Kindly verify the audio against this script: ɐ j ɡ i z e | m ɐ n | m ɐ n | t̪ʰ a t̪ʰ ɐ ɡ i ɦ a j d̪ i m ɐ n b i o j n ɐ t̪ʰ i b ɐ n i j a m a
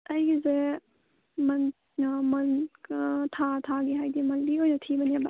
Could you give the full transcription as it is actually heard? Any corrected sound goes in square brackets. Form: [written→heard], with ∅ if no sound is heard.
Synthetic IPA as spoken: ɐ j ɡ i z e | m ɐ n | m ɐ n | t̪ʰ a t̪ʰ [ɐ→a] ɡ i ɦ a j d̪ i m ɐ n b i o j n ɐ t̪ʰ i b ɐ n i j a [m→b] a